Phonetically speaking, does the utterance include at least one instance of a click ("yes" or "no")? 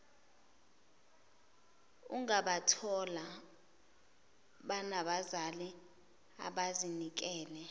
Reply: no